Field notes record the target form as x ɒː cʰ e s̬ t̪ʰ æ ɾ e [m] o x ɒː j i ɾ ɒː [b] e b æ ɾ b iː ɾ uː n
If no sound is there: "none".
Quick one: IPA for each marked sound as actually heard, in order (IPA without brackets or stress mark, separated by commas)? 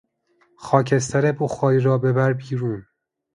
b, b